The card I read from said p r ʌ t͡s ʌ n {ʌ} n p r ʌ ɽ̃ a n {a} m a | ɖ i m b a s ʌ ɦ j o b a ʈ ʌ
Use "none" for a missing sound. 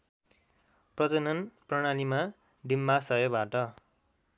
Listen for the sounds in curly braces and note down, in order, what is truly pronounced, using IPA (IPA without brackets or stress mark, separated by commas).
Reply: ʌ, i